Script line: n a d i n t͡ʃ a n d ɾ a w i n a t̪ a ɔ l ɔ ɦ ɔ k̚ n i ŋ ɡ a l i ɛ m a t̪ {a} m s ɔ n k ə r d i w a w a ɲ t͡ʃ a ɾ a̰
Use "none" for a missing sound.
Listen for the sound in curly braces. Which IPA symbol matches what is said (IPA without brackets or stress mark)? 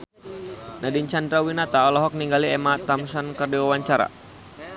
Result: a